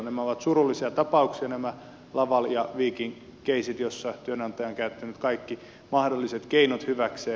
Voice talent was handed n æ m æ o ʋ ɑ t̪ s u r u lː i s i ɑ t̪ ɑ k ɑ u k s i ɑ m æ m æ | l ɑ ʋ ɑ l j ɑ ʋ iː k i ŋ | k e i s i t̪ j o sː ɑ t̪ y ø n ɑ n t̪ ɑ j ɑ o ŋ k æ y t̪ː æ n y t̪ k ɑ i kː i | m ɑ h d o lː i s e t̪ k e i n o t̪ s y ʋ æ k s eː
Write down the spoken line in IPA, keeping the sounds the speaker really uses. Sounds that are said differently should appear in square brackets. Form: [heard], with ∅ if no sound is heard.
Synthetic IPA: n æ m æ o ʋ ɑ t̪ s u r u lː i s i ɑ t̪ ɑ [p] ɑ u k s i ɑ [n] æ m æ | l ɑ ʋ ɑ l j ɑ ʋ iː k i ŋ | k e i s i t̪ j o sː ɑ t̪ y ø n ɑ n t̪ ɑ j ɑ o ŋ k æ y t̪ː æ n y t̪ k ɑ i kː i | m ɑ h d o lː i s e t̪ k e i n o t̪ [h] y ʋ æ k s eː